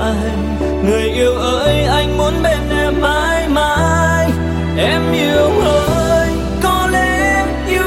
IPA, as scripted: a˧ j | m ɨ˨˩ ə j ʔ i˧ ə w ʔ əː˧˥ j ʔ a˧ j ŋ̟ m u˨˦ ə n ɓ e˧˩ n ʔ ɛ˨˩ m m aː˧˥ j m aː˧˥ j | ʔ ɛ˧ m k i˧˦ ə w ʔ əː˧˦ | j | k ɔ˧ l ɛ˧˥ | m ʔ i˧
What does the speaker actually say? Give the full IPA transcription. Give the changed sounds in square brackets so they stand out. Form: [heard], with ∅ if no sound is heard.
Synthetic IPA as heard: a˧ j | [ŋ] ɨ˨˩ ə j ʔ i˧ ə w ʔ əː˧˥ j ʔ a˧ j ŋ̟ m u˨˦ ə n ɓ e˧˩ n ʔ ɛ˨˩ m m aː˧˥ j m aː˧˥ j | ʔ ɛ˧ m [ʔ] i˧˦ ə w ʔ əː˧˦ | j | k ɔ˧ l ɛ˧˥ | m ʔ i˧